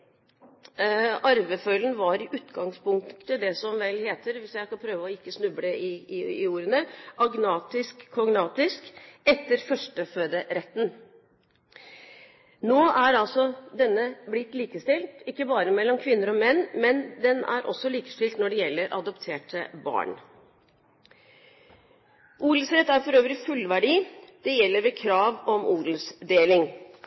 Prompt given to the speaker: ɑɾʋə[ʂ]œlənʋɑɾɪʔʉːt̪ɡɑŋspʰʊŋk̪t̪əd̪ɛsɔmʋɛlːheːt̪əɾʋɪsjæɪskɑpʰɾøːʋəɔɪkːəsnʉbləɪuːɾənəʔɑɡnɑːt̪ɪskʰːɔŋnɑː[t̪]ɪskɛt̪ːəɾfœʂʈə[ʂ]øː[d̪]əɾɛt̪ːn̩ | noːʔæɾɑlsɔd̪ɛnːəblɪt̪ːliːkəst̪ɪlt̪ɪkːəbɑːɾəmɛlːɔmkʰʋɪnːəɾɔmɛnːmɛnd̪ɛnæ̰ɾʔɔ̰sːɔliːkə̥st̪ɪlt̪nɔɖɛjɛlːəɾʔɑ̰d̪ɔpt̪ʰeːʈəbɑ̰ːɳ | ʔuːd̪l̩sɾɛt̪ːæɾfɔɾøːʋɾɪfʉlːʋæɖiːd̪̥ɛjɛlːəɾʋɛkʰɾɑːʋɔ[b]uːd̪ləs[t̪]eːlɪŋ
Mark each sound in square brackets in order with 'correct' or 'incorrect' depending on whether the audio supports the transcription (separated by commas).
incorrect, correct, incorrect, correct, incorrect, incorrect